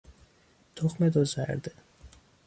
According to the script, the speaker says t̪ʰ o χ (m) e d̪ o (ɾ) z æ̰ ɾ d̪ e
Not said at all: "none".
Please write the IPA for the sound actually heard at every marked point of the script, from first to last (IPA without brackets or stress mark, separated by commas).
m, none